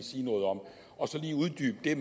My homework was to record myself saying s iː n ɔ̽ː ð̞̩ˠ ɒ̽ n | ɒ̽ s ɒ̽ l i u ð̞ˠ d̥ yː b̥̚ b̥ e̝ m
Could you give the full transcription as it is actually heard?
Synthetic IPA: s iː n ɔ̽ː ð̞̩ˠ ɒ̽ m | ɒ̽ s ɒ̽ l iː u ð̞ˠ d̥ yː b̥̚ d̥ e̝ m